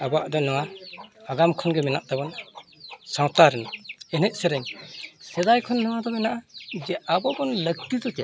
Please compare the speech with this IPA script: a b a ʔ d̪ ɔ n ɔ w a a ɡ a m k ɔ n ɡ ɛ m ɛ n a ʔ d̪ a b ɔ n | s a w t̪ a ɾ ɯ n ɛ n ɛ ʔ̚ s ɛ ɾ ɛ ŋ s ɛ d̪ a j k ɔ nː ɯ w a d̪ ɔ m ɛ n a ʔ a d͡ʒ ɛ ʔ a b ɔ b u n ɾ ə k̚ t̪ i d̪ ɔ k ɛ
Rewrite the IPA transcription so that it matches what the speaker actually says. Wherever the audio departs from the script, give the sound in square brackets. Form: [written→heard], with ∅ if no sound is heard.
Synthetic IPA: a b a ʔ d̪ ɔ n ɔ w a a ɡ a m [k→kʰ] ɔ n ɡ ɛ m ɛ n a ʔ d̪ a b ɔ n | s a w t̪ a ɾ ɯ n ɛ n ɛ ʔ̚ s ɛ ɾ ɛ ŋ s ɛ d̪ a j [k→kʰ] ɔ nː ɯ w a d̪ ɔ m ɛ n a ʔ a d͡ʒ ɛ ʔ a b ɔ b [u→ɔ] n [ɾ→l] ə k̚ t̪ i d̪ ɔ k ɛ

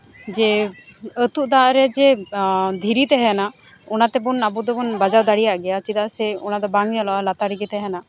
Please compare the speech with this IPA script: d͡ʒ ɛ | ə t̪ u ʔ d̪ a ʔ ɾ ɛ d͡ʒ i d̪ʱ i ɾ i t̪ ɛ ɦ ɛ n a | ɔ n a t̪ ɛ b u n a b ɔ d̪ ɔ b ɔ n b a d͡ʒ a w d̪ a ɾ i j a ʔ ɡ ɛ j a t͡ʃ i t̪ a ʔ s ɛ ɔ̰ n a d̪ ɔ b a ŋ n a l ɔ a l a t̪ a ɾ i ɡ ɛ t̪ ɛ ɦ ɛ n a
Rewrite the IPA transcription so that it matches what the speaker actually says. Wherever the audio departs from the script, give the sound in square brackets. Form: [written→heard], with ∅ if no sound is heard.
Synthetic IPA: d͡ʒ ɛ | ə t̪ u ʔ d̪ a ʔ ɾ ɛ d͡ʒ [i→ɛ] d̪ʱ i ɾ i t̪ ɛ ɦ ɛ n a | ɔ n a t̪ ɛ b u n a b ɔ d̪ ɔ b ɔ n b a d͡ʒ a w d̪ a [ɾ→ɽ] i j a ʔ ɡ ɛ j a t͡ʃ i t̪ a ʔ s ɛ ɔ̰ n a d̪ ɔ b a ŋ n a l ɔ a l a t̪ a ɾ i ɡ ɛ t̪ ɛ ɦ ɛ n a

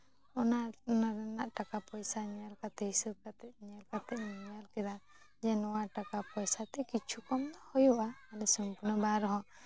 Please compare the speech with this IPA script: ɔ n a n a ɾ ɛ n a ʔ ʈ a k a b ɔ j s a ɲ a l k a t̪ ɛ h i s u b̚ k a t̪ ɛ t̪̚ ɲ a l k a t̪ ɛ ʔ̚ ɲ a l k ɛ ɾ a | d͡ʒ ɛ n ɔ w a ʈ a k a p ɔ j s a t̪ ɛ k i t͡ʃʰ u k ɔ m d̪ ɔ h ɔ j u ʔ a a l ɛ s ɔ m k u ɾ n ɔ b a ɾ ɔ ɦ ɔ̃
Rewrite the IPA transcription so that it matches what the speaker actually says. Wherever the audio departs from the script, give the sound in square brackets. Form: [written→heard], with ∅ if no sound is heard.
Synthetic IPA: ɔ n a n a ɾ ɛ n a ʔ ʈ a k a [b→p] ɔ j s a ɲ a l k a t̪ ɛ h i s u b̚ k a t̪ ɛ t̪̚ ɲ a l k a t̪ ɛ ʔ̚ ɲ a l k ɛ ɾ a | d͡ʒ ɛ n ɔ w a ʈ a k a p ɔ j s a t̪ ɛ k i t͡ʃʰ u k ɔ m d̪ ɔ h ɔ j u ʔ a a l ɛ s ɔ m [k→p] u ɾ n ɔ b a ɾ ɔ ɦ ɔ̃

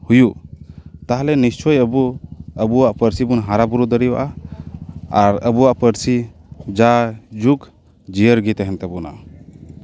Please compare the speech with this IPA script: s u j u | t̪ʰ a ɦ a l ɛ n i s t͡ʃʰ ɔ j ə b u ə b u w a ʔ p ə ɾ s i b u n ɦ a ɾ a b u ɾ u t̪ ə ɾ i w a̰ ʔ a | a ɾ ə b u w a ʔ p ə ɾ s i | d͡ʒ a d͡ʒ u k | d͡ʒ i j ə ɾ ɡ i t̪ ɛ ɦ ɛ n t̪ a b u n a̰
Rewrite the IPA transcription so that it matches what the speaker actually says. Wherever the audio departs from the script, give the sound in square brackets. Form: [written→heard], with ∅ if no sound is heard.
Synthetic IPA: [s→h] u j u | [t̪ʰ→t̪] a ɦ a l ɛ n i s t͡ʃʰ ɔ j ə b u ə b u w a ʔ p ə ɾ s i b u n ɦ a ɾ a b u ɾ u [t̪→d̪] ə ɾ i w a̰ ʔ a | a ɾ ə b u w a ʔ p ə ɾ s i | d͡ʒ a d͡ʒ u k | d͡ʒ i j ə ɾ ɡ i t̪ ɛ ɦ ɛ n t̪ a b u n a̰

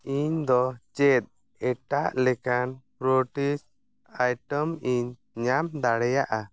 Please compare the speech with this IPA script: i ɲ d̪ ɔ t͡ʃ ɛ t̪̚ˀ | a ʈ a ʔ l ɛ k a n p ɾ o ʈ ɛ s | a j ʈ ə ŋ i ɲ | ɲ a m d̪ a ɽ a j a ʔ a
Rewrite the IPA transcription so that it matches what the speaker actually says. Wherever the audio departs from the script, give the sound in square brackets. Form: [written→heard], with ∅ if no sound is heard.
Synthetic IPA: i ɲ d̪ ɔ t͡ʃ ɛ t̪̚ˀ | [a→ɛ] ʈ a ʔ l ɛ k a n p ɾ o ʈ [ɛ→i] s | a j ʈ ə [ŋ→m] i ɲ | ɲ a m d̪ a ɽ [a→ɛ] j a ʔ a

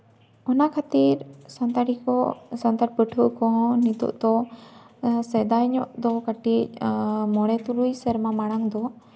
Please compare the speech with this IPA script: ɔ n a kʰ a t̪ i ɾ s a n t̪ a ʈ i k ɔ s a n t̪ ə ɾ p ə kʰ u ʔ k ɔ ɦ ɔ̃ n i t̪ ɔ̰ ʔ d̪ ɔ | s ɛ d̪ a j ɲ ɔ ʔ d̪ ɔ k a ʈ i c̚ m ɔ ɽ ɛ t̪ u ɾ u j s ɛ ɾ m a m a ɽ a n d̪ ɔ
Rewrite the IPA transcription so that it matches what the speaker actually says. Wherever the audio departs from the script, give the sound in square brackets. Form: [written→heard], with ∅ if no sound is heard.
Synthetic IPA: ɔ n a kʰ a t̪ i ɾ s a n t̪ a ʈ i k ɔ s a n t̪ [ə→a] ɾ p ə [kʰ→ʈʰ] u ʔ k ɔ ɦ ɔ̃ n i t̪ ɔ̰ ʔ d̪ ɔ | s ɛ d̪ a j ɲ ɔ ʔ d̪ ɔ k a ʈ i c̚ m ɔ ɽ ɛ t̪ u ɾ u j s ɛ ɾ m a m a ɽ a [n→ŋ] d̪ ɔ

